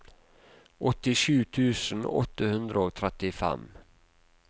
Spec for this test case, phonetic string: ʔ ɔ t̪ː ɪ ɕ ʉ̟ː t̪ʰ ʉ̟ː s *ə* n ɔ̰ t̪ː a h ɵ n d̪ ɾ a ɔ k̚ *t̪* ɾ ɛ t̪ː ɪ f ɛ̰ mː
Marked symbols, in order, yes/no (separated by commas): yes, no